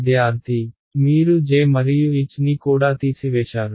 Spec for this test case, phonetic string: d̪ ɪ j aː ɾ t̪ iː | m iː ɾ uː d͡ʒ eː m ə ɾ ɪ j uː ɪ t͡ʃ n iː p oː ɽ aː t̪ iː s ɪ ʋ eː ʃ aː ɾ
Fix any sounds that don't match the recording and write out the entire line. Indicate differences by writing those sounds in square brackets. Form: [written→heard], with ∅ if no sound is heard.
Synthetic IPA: d̪ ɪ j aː ɾ t̪ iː | m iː ɾ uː d͡ʒ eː m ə ɾ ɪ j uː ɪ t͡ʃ n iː [p→k] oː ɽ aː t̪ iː s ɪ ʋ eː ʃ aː ɾ

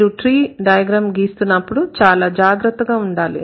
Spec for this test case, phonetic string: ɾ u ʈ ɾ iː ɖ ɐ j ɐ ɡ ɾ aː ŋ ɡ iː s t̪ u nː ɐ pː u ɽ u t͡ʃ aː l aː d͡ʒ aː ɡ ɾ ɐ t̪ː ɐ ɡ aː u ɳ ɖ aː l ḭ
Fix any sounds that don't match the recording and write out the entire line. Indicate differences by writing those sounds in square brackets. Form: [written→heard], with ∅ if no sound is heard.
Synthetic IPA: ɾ u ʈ ɾ iː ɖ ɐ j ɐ ɡ ɾ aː [ŋ→m] ɡ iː s t̪ u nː ɐ pː u ɽ u t͡ʃ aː l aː d͡ʒ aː ɡ ɾ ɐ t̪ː ɐ ɡ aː u ɳ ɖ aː l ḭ

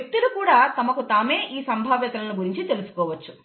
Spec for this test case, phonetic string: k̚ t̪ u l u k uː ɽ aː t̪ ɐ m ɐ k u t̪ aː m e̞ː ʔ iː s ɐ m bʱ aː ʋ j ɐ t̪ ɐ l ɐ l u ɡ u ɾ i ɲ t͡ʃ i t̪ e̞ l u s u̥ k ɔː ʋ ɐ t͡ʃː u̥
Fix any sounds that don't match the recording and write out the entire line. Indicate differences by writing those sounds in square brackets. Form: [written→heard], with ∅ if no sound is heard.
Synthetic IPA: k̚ t̪ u l u k uː ɽ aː t̪ ɐ m ɐ k u t̪ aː m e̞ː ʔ iː s ɐ m bʱ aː ʋ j ɐ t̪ ɐ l ɐ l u ɡ u ɾ i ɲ t͡ʃ i t̪ e̞ l u s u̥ k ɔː ʋ ɐ t͡ʃː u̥

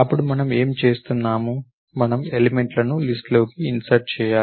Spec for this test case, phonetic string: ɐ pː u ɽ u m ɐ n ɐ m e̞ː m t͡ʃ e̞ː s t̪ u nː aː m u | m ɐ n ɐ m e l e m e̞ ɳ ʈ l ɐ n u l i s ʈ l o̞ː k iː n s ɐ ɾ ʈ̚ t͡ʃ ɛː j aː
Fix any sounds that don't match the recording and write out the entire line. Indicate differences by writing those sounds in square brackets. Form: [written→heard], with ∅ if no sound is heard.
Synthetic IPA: ɐ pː u ɽ u m ɐ n ɐ m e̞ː m t͡ʃ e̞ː s t̪ u nː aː m u | m ɐ n ɐ m e l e m e̞ ɳ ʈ l ɐ n u l i s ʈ l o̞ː k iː n s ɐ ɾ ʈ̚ t͡ʃ ɛː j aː

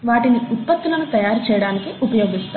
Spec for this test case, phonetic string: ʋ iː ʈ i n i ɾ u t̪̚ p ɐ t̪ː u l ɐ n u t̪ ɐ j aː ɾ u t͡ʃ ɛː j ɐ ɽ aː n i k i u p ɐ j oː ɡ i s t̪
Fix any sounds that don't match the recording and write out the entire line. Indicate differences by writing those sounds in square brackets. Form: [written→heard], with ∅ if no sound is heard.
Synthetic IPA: ʋ [iː→aː] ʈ i n i [ɾ→∅] u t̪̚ p ɐ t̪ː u l ɐ n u t̪ ɐ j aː ɾ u t͡ʃ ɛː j ɐ ɽ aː n i k i u p ɐ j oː ɡ i s t̪

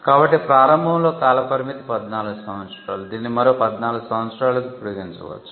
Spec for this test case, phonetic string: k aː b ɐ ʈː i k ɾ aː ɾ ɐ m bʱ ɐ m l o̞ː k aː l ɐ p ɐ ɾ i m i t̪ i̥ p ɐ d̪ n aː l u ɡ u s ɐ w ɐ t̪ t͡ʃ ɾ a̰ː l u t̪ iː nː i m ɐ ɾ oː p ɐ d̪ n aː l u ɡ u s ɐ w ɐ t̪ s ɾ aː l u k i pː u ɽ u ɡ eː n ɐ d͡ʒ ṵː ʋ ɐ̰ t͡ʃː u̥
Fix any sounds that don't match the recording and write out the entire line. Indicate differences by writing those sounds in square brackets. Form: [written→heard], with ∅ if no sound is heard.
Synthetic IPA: k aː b ɐ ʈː i [k→p] ɾ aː ɾ ɐ m bʱ ɐ m l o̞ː k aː l ɐ p ɐ ɾ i m i t̪ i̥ p ɐ d̪ n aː l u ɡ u s ɐ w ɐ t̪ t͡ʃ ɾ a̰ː l u [t̪→d̪] iː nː i m ɐ ɾ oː p ɐ d̪ n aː l u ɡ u s ɐ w ɐ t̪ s ɾ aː l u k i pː u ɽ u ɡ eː n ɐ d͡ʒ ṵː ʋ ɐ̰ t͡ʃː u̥

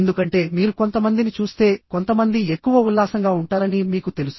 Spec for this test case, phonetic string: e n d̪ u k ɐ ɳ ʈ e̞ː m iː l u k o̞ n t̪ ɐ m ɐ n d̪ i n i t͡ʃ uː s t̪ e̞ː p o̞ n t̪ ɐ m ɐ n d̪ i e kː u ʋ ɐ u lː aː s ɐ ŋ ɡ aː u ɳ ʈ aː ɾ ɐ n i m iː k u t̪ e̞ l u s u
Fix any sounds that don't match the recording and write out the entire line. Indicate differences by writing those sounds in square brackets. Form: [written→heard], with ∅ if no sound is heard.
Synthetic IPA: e n d̪ u k ɐ ɳ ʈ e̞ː m iː [l→ɾ] u k o̞ n t̪ ɐ m ɐ n d̪ i n i t͡ʃ uː s t̪ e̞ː [p→k] o̞ n t̪ ɐ m ɐ n d̪ i e kː u ʋ ɐ u lː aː s ɐ ŋ ɡ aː u ɳ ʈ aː ɾ ɐ n i m iː k u t̪ e̞ l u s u

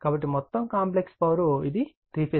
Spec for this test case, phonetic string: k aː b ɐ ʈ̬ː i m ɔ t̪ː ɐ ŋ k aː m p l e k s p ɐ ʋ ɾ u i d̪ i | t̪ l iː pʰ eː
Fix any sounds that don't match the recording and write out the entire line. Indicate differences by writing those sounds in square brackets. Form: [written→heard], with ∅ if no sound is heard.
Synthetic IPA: k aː b ɐ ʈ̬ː i m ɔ t̪ː ɐ [ŋ→m] k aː m p l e k s p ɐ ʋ ɾ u i d̪ i | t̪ [l→ɾ] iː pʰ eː

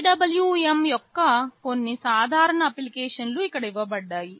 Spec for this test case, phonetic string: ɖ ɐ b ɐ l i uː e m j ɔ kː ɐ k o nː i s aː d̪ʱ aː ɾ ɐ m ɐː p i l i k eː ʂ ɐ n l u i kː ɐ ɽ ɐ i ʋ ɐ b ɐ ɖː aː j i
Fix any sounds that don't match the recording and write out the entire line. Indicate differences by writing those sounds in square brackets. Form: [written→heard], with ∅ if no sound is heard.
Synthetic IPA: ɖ ɐ b ɐ l [i→j] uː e m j ɔ kː ɐ k o nː i s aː d̪ʱ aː ɾ ɐ [m→ɳ] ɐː p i l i k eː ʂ ɐ n l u i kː ɐ ɽ ɐ i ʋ ɐ b ɐ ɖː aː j i

